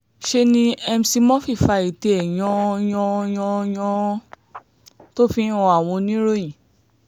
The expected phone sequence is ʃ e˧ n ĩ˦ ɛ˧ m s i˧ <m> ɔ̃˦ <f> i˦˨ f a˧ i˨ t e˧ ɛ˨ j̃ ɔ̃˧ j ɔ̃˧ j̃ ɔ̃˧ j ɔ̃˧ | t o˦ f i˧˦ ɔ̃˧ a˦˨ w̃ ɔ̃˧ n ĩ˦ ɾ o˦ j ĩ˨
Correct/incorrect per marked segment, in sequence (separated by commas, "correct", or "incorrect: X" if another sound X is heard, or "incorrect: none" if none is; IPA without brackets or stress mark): correct, correct